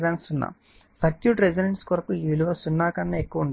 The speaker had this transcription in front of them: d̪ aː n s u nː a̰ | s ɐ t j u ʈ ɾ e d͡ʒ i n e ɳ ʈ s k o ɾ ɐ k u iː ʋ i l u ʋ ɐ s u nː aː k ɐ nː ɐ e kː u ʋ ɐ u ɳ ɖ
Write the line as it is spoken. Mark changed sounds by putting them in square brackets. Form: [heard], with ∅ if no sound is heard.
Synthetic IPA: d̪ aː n s u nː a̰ | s ɐ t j u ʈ ɾ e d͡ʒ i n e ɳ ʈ s k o ɾ ɐ k u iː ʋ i l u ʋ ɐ s u nː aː k ɐ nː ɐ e kː u ʋ ɐ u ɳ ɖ

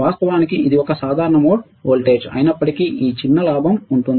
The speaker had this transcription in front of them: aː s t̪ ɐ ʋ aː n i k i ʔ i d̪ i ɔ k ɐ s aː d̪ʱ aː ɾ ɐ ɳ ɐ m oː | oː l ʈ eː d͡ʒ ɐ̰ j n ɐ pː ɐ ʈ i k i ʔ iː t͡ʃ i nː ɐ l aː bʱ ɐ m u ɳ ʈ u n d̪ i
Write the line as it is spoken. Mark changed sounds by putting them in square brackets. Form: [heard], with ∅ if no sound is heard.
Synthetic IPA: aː s t̪ ɐ ʋ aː n i k i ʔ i d̪ i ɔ k ɐ s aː d̪ʱ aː ɾ ɐ ɳ ɐ m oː | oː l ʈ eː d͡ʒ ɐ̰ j n ɐ pː ɐ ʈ i k i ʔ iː t͡ʃ i nː ɐ l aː bʱ ɐ m u ɳ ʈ u n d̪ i

